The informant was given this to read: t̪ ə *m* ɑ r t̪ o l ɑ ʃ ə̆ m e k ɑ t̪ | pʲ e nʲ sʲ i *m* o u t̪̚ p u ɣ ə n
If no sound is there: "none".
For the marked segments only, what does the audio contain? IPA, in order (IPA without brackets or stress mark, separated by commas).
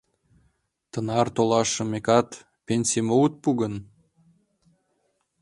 n, m